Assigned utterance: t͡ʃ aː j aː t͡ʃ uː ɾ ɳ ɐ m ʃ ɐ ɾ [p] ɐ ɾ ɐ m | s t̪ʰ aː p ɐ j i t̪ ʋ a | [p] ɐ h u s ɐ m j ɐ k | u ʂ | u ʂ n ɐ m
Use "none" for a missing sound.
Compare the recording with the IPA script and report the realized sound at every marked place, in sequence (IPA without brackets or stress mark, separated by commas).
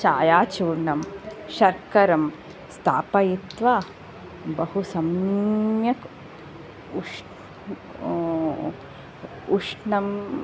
k, b